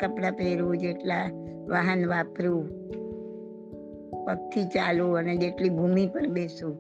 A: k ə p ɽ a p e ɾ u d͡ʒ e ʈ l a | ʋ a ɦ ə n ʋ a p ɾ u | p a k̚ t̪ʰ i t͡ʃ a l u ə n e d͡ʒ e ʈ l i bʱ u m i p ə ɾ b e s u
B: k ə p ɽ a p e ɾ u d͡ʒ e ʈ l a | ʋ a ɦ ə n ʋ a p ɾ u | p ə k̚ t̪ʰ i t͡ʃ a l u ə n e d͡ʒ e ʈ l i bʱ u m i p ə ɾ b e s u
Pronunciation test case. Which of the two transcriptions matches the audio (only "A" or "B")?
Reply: B